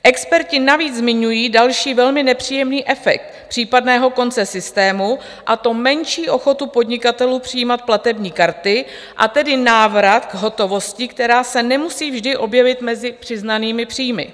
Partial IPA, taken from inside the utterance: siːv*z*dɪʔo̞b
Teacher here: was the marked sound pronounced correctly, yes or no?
no